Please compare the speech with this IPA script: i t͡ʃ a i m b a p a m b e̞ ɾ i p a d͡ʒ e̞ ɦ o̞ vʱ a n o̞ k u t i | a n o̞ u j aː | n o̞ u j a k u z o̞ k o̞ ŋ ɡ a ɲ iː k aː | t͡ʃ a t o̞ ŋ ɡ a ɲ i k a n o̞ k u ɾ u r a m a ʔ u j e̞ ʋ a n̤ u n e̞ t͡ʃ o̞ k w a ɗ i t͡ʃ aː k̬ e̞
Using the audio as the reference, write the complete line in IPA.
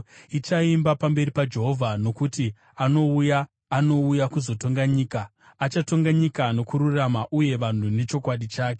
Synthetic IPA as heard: i t͡ʃ a i m b a p a m b e̞ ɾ i p a d͡ʒ e̞ ɦ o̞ vʱ a n o̞ k u t i | a n o̞ u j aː | n o̞ u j a k u z o̞ t o̞ ŋ ɡ a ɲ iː k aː | t͡ʃ a t o̞ ŋ ɡ a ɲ i k a n o̞ k u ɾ u r a m a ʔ u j e̞ ʋ a n̤ u n e̞ t͡ʃ o̞ k w a ɗ i t͡ʃ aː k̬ e̞